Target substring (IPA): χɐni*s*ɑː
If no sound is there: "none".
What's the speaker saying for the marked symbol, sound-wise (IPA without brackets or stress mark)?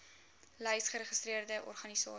s